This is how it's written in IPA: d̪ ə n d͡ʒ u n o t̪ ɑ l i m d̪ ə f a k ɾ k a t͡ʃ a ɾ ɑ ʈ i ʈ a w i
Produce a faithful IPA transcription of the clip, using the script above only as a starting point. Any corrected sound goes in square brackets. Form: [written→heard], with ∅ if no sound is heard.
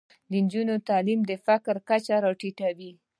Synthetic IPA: d̪ ə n d͡ʒ u n o t̪ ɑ l i m d̪ ə f a k ɾ k a t͡ʃ a ɾ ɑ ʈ i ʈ a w i